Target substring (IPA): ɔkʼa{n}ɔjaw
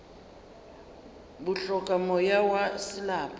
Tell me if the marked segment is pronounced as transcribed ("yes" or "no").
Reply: no